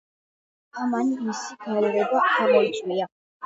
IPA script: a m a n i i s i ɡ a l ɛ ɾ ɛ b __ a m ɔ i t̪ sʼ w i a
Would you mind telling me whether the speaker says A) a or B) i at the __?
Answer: A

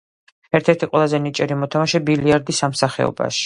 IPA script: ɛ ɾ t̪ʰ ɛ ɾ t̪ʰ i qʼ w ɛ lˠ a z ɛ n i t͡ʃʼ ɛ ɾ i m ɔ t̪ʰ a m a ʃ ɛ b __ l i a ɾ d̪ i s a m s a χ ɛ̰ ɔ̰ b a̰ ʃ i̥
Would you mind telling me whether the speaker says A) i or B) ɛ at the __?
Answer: A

